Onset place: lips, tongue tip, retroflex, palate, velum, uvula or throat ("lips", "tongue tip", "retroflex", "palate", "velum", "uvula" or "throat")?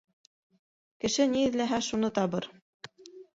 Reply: velum